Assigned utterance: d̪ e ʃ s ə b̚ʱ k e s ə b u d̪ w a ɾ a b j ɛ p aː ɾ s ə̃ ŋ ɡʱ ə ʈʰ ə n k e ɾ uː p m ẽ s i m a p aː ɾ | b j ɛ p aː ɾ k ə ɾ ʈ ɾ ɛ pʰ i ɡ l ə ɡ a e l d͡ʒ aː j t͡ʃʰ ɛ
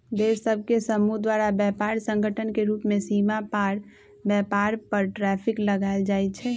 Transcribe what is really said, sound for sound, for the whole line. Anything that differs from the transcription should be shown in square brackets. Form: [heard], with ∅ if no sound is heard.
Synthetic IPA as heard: d̪ e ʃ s ə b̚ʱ k e s ə [m] u d̪ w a ɾ a b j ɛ p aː ɾ s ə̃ ŋ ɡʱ ə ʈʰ ə n k e ɾ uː p m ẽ s i m a p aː ɾ | b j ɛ p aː ɾ [p] ə ɾ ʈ ɾ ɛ pʰ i [k] l ə ɡ a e l d͡ʒ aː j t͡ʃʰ ɛ